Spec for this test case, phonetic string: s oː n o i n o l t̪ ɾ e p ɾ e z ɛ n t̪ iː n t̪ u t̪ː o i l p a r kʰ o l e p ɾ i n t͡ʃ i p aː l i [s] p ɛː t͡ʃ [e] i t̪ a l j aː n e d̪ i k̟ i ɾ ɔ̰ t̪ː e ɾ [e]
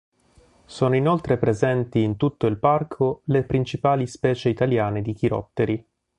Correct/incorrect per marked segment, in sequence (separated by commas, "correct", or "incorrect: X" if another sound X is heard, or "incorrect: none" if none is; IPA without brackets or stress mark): correct, correct, incorrect: i